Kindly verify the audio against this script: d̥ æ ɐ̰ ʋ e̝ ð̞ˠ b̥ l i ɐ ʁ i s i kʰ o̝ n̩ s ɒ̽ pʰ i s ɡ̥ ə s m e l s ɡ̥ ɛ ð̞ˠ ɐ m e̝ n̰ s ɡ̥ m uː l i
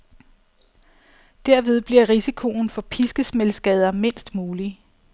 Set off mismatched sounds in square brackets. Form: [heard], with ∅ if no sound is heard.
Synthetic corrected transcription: d̥ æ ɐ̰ ʋ e̝ ð̞ˠ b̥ l i ɐ ʁ i s i kʰ o̝ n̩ [f] ɒ̽ pʰ i s ɡ̥ ə s m e l s ɡ̥ ɛ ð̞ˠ ɐ m e̝ n̰ s [d̥] m uː l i